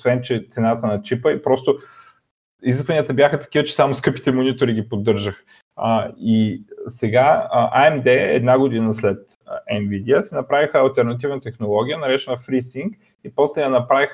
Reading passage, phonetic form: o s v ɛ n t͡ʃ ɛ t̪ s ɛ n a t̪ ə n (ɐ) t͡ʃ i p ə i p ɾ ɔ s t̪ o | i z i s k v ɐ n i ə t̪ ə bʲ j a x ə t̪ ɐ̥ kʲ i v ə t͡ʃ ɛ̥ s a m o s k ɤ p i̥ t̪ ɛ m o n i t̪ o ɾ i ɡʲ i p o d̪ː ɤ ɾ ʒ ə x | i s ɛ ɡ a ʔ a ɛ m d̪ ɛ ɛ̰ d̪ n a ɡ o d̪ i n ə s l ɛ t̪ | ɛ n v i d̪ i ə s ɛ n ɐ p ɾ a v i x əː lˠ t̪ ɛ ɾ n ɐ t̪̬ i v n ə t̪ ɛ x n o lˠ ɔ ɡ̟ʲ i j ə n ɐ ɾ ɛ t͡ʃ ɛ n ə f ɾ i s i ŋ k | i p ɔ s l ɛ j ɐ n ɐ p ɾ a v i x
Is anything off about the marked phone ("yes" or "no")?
no